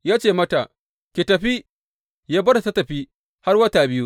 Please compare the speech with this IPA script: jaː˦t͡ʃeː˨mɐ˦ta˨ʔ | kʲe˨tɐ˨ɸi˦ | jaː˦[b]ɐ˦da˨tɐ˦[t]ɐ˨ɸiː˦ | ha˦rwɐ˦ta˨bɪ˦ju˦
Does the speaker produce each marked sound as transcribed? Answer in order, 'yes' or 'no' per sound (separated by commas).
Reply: yes, yes